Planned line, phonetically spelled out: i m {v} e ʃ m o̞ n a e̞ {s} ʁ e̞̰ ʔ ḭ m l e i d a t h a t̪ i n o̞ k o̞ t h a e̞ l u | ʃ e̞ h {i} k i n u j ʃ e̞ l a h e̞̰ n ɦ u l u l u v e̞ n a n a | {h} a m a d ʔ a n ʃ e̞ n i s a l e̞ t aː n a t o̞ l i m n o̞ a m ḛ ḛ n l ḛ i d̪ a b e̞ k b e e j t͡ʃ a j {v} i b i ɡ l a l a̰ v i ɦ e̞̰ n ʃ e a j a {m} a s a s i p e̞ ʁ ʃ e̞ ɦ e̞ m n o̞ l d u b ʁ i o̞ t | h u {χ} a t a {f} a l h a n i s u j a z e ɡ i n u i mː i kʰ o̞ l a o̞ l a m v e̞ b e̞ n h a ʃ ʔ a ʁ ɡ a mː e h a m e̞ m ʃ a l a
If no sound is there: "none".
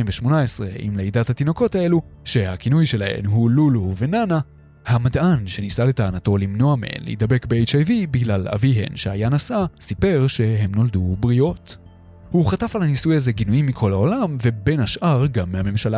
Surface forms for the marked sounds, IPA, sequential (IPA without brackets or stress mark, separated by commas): v, s, a, h, v, n, χ, f